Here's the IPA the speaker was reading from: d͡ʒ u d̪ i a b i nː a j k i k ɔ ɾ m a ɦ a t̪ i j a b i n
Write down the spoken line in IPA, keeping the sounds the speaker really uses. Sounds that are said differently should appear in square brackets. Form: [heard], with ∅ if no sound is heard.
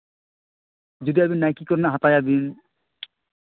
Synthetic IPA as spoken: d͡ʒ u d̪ i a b i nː a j k i k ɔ ɾ [n] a ɦ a t̪ [a] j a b i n